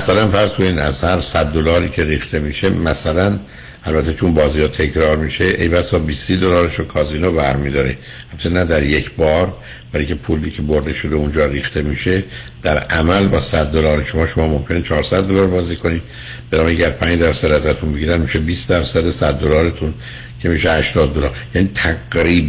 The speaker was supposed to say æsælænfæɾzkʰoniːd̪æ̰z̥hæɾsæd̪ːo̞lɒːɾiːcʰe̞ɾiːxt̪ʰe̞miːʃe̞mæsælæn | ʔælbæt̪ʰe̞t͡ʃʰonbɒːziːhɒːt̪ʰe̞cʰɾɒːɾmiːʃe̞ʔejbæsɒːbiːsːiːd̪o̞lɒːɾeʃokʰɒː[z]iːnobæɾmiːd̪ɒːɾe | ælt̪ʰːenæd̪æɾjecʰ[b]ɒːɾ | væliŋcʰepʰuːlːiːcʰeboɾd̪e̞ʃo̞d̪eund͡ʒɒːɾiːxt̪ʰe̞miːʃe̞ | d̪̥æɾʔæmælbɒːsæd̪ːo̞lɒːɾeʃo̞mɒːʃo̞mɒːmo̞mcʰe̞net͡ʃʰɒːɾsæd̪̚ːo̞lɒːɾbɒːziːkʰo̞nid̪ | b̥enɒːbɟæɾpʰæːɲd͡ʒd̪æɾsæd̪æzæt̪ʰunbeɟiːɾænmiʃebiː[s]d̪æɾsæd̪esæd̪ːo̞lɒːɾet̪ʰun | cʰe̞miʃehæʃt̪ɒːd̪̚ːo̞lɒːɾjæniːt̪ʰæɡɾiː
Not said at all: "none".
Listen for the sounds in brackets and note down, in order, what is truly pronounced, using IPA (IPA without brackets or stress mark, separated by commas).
z, b, s